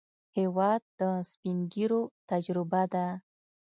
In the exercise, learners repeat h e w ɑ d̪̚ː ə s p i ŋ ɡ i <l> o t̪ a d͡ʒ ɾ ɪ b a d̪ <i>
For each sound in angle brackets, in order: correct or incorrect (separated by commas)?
incorrect, incorrect